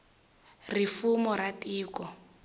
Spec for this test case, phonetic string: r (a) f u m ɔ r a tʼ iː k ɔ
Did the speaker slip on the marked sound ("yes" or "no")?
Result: yes